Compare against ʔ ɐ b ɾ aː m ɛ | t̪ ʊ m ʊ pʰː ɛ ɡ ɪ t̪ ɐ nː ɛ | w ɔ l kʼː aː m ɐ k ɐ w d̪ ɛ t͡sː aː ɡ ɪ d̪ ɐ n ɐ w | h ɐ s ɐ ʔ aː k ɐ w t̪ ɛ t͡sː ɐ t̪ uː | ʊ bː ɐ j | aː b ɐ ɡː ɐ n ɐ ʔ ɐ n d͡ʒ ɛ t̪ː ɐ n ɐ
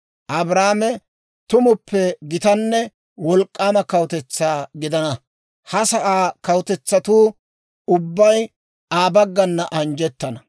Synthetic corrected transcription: ʔ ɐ b ɾ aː m ɛ | t̪ ʊ m ʊ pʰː ɛ ɡ ɪ t̪ ɐ nː ɛ | w ɔ l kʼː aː m ɐ k ɐ w t̪ ɛ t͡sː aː ɡ ɪ d̪ ɐ n ɐ | h ɐ s ɐ ʔ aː k ɐ w t̪ ɛ t͡sː ɐ t̪ uː | ʊ bː ɐ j | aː b ɐ ɡː ɐ nː ɐ ʔ ɐ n d͡ʒ ɛ t̪ː ɐ n ɐ